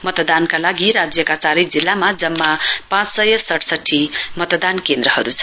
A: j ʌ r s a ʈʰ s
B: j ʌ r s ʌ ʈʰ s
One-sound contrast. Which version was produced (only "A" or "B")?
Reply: B